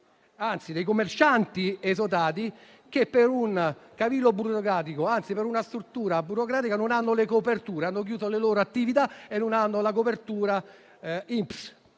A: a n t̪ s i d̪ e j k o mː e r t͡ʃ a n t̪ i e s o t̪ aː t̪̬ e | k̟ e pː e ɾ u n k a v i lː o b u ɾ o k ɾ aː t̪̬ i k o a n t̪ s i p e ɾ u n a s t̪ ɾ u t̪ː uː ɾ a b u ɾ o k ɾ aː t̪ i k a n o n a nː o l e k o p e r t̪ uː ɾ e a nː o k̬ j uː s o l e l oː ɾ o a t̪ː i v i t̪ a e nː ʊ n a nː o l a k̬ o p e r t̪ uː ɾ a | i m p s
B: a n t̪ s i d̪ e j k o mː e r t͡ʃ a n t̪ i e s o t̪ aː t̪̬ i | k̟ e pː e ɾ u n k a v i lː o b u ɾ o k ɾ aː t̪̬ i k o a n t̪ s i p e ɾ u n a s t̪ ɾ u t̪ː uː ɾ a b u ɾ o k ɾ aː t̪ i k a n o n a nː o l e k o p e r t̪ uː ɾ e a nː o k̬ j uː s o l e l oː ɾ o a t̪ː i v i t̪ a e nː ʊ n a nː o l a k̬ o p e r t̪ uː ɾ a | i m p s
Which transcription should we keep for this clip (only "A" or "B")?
B